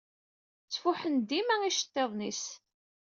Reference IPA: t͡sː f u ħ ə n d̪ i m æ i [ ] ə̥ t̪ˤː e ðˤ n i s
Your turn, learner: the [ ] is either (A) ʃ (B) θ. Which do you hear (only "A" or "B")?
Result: A